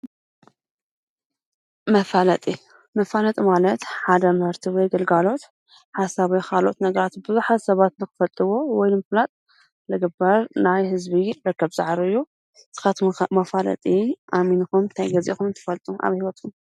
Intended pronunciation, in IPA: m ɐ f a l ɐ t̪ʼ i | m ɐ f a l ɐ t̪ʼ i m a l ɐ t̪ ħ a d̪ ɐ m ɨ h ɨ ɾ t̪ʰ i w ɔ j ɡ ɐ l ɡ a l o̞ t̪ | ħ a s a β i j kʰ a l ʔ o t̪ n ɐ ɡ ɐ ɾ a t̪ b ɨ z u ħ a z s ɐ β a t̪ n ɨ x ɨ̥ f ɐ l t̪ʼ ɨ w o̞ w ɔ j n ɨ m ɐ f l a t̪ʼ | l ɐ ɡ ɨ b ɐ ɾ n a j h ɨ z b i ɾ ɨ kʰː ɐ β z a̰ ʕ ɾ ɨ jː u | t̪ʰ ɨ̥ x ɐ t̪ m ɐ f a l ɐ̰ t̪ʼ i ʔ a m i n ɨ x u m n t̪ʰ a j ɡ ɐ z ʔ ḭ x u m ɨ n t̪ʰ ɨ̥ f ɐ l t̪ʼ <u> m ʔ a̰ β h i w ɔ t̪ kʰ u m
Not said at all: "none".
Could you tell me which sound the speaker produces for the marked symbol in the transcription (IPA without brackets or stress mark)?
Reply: u